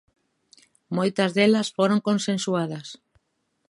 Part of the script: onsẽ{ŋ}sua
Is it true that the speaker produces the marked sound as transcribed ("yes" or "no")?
no